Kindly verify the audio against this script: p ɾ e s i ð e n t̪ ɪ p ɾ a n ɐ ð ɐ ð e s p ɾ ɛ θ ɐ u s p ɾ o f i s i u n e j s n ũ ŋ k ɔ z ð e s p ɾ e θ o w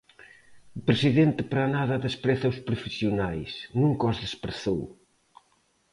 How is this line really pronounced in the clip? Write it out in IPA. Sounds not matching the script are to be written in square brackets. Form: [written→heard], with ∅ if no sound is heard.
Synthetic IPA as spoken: p ɾ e s i ð e n t̪ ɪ p ɾ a n [ɐ→a] ð ɐ ð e s p ɾ ɛ θ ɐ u s p ɾ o f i s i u n [e→a] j s n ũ ŋ k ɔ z ð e s p ɾ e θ o w